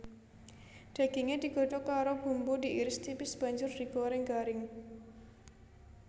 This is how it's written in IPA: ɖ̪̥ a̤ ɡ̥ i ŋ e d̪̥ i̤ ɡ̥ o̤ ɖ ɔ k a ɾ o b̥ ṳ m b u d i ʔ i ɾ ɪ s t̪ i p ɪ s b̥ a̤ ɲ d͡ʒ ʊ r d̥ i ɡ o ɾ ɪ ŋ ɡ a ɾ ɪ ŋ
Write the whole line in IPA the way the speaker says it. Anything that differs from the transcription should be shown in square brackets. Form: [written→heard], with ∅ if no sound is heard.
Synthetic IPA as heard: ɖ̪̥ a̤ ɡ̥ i ŋ e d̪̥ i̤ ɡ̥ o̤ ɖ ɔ k a ɾ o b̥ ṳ m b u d i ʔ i ɾ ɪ s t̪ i p ɪ s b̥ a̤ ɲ d͡ʒ ʊ r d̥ i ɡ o ɾ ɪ ŋ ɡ a ɾ ɪ ŋ